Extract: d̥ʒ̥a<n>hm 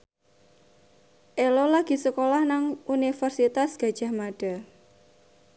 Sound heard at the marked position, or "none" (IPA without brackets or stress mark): none